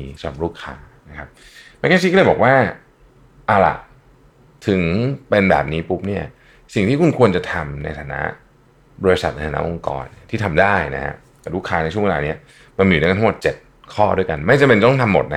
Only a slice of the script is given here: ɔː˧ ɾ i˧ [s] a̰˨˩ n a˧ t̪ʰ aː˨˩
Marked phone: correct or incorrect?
correct